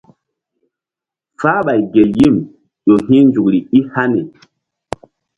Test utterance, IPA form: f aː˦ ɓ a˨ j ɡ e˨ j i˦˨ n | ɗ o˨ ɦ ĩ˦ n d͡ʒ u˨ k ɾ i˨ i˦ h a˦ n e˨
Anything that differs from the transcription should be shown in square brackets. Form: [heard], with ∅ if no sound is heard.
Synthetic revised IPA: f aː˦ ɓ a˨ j ɡ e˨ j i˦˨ [m] | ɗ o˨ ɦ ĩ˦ n d͡ʒ u˨ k ɾ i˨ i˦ h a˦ n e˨